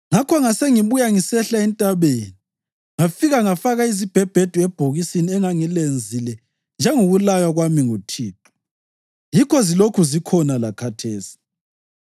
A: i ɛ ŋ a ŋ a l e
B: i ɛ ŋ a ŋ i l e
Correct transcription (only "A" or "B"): B